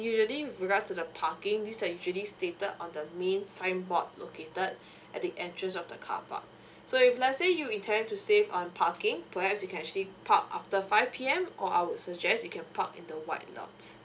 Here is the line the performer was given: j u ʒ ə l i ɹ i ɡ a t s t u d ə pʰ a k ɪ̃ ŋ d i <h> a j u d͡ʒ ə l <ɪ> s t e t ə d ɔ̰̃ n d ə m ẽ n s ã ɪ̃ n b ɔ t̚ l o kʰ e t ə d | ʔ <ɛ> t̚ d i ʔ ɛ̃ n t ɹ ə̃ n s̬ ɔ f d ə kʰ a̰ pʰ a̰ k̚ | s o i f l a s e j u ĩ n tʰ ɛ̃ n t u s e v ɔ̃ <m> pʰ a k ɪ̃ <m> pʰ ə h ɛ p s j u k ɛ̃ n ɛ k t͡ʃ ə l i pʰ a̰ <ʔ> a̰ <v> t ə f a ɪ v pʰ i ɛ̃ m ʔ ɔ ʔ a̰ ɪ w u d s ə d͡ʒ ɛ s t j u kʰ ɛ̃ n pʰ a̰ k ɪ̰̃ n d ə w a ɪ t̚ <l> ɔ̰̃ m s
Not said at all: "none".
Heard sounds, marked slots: s, i, ɛ, n, ŋ, k, f, l

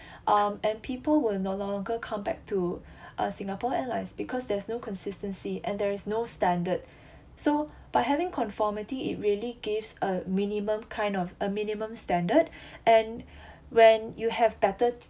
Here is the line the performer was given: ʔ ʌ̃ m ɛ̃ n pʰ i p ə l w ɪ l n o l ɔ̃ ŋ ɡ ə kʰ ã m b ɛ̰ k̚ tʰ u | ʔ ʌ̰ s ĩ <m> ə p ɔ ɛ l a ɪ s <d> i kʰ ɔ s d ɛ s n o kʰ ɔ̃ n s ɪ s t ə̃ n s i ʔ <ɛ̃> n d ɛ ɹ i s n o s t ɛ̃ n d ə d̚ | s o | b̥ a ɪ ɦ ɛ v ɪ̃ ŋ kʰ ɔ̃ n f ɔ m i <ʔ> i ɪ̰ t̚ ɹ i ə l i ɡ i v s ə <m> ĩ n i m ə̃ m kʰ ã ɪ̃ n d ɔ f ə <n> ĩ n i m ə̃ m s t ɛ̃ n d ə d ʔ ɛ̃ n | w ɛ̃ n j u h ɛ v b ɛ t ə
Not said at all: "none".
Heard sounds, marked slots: ŋ, b, ɛ̃, t, m, m

